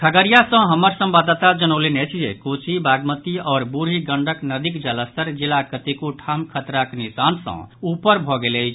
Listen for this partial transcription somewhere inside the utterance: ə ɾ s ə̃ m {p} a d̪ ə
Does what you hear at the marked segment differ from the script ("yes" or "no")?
yes